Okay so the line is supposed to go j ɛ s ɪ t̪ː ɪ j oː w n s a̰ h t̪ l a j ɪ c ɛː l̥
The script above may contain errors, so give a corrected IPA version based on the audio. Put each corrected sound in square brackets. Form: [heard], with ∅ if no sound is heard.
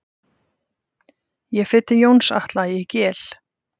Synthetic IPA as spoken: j ɛ [f] ɪ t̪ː ɪ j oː w n s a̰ h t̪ l a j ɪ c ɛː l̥